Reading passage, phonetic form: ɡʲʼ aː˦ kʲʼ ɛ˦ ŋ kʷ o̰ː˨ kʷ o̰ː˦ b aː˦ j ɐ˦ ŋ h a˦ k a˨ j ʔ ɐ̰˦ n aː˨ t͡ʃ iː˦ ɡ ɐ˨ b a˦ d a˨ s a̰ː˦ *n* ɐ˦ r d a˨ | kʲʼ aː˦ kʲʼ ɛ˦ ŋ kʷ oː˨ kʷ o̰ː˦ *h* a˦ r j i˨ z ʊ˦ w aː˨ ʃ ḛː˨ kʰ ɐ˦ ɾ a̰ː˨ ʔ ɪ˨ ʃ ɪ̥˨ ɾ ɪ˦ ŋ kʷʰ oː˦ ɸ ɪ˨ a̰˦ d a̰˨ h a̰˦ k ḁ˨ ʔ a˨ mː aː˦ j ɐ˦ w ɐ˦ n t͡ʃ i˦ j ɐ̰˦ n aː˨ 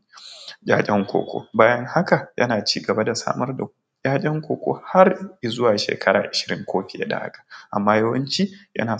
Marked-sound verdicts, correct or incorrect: incorrect, correct

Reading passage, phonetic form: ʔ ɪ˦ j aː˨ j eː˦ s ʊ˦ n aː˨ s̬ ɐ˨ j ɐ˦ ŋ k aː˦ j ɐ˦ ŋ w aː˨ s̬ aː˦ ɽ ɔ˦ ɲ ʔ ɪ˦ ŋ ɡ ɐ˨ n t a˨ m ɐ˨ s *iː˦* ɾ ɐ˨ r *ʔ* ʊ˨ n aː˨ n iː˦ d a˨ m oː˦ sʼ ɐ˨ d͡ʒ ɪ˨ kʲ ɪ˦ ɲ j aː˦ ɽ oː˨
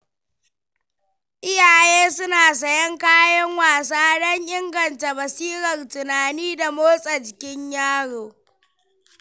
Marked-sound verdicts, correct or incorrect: correct, incorrect

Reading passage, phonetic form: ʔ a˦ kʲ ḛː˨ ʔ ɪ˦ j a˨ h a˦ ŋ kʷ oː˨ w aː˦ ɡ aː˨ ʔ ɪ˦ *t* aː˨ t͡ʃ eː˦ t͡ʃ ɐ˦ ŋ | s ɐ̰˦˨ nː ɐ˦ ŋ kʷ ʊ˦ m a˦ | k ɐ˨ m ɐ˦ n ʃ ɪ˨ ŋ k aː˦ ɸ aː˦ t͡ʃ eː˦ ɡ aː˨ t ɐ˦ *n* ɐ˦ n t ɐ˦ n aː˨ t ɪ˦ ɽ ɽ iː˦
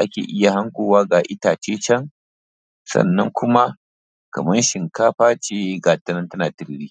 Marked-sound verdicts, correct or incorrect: correct, correct

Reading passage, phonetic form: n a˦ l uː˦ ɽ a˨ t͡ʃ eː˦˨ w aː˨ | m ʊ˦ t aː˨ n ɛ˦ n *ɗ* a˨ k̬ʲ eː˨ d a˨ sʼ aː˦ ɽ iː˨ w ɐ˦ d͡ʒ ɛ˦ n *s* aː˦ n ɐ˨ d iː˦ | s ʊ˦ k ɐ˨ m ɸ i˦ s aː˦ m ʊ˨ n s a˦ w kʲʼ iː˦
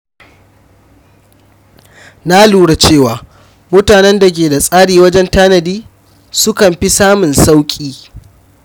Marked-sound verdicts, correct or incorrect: incorrect, incorrect

